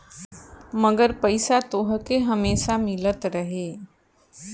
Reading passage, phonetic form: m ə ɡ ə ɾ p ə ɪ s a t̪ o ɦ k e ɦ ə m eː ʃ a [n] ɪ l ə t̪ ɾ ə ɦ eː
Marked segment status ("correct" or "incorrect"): incorrect